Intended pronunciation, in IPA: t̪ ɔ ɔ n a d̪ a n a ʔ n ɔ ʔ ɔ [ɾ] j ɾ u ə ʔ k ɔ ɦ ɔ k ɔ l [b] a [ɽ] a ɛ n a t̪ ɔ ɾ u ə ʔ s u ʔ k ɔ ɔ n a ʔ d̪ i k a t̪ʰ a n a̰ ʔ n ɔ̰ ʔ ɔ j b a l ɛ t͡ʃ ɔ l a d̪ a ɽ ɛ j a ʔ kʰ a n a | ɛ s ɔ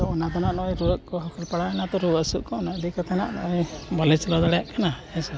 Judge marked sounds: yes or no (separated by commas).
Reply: no, no, yes